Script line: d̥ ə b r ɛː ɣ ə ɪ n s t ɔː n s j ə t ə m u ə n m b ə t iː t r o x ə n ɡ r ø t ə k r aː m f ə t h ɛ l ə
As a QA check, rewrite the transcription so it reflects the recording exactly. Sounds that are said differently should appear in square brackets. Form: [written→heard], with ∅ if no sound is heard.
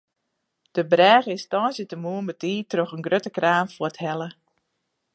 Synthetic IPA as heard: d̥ ə b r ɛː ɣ ə ɪ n s t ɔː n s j ə t ə m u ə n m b ə t iː t r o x ə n ɡ r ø t ə k r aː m f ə t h ɛ l ə